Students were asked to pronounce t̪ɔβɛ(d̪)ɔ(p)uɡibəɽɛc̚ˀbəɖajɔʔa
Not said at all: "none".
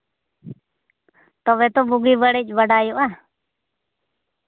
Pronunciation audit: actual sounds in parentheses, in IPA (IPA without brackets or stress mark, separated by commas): t̪, b